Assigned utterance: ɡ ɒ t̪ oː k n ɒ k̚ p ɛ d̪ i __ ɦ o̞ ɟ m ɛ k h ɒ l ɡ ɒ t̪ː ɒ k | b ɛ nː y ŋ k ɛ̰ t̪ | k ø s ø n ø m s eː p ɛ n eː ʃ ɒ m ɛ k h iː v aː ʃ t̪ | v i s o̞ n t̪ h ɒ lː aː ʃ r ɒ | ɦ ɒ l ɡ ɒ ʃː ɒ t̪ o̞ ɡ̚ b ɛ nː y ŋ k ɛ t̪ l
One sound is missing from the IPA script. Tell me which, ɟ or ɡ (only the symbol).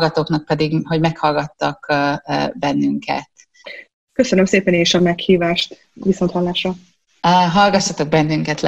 ɡ